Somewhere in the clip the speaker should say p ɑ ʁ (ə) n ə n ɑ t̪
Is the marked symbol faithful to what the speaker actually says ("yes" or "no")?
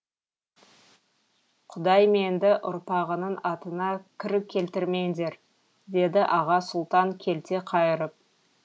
yes